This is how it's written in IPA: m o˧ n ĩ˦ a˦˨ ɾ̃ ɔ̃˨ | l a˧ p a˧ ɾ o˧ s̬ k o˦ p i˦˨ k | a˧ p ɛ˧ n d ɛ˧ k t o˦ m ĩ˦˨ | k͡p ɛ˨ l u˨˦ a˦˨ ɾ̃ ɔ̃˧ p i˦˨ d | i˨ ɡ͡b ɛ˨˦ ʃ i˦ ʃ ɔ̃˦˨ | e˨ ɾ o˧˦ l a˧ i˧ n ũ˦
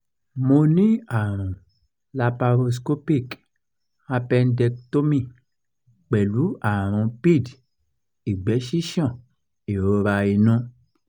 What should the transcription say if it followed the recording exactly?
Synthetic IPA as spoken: m o˧ n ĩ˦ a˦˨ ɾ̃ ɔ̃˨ | l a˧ p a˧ ɾ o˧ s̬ k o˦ p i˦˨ k | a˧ p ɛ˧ n d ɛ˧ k t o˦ m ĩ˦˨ | k͡p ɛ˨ l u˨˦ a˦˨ ɾ̃ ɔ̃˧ p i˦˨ d | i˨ ɡ͡b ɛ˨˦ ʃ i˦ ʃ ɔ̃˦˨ | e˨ ɾ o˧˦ ɾ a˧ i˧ n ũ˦